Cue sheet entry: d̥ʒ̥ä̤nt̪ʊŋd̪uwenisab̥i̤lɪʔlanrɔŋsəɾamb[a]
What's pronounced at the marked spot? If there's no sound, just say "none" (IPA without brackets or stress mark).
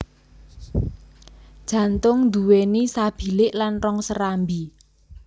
i